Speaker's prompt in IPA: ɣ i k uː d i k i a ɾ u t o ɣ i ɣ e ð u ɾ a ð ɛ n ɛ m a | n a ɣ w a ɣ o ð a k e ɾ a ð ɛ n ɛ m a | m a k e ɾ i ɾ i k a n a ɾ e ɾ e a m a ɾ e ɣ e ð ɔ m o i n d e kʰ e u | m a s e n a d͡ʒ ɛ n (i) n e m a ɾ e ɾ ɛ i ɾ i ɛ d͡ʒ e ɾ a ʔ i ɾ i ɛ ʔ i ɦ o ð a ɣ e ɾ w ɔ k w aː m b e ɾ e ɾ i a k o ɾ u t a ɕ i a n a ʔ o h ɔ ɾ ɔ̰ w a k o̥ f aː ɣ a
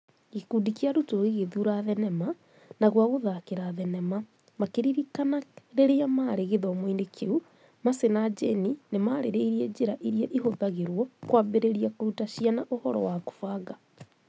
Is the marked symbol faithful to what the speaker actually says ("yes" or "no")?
yes